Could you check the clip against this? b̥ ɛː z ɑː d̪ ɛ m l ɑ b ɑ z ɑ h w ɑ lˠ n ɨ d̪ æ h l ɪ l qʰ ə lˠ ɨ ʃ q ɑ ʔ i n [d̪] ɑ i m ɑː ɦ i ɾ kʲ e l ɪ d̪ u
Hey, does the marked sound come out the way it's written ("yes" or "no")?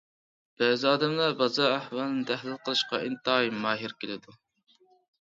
no